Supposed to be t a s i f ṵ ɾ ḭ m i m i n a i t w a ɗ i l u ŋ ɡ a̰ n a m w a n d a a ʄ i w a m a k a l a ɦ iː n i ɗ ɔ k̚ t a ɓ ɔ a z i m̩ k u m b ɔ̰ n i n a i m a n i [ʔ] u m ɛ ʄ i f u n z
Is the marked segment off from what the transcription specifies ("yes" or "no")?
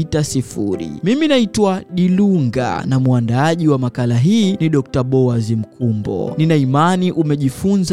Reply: no